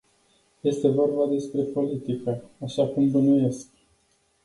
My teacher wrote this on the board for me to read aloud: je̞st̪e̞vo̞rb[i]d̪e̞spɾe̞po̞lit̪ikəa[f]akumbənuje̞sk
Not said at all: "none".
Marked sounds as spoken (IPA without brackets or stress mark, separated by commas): a, ʃ